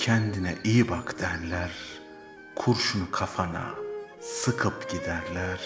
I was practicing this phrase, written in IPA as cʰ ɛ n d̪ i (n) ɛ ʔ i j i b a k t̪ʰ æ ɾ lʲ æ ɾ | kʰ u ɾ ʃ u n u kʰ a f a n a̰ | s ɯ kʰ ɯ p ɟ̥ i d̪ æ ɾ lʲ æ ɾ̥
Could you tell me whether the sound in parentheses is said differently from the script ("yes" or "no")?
no